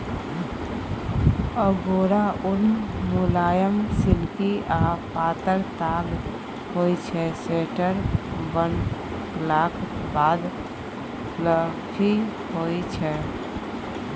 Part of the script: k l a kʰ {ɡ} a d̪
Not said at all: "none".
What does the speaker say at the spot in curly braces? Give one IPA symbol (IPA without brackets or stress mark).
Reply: b